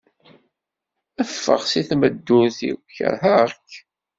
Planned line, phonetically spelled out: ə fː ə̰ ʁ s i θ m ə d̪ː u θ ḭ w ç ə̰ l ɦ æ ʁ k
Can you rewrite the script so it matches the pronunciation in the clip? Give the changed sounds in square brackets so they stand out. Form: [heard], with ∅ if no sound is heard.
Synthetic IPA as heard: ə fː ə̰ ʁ s i θ m ə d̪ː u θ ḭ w ç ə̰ [ɾ] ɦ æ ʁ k